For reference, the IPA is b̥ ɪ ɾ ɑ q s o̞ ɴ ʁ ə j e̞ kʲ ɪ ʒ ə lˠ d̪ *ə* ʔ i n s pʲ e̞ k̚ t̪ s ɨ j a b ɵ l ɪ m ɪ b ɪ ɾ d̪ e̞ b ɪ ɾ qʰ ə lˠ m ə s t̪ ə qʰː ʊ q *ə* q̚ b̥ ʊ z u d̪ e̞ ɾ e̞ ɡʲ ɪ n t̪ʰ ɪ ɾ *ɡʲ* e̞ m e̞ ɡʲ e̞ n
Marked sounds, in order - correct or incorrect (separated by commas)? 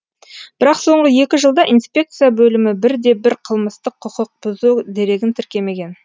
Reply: incorrect, correct, incorrect